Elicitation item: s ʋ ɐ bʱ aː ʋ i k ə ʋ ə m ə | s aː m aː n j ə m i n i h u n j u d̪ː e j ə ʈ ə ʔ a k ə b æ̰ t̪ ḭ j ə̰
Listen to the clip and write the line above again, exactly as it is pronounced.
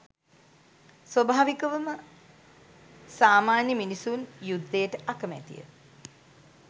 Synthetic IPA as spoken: s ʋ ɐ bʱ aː ʋ i k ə ʋ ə m ə | s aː m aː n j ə m i n i s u n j u d̪ː e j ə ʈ ə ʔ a k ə m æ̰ t̪ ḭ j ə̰